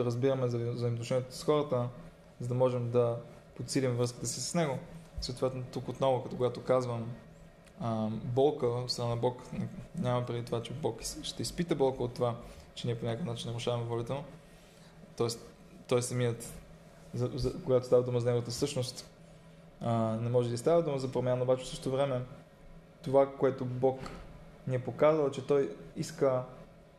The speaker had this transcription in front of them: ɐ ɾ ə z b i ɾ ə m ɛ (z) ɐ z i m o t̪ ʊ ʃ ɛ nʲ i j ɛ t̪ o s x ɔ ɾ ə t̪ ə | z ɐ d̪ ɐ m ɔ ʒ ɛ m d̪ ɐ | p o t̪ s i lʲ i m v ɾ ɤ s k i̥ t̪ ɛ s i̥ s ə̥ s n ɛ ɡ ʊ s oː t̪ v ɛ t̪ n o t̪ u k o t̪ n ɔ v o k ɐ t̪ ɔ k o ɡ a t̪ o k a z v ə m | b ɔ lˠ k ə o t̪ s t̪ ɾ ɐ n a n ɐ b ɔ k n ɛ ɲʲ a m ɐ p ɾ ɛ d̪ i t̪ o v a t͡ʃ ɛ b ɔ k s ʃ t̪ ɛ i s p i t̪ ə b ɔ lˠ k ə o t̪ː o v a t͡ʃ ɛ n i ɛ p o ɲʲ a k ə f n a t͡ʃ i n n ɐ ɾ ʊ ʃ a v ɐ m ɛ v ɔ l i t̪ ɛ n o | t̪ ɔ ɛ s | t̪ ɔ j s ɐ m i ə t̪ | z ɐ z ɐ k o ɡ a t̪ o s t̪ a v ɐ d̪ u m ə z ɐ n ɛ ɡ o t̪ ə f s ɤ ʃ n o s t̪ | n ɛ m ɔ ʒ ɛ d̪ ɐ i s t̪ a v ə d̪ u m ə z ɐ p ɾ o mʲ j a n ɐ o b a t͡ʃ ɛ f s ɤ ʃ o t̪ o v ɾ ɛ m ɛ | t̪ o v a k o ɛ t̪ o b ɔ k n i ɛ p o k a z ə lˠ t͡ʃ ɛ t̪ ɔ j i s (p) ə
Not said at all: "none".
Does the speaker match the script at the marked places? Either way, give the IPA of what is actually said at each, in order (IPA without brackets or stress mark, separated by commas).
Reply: z, k